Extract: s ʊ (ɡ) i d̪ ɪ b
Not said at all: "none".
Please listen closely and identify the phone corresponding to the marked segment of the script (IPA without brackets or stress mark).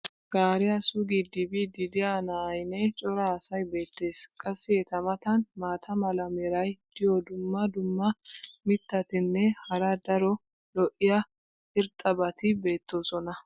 ɡ